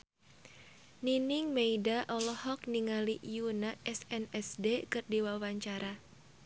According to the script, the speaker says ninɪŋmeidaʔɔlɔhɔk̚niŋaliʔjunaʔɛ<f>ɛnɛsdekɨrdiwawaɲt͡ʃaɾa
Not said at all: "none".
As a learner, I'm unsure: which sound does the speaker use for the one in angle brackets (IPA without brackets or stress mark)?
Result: s